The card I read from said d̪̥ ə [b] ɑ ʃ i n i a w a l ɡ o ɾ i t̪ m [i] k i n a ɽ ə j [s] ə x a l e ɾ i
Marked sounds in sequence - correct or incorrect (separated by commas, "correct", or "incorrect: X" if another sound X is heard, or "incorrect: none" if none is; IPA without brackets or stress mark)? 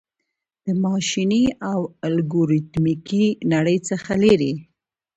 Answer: incorrect: m, correct, incorrect: t͡s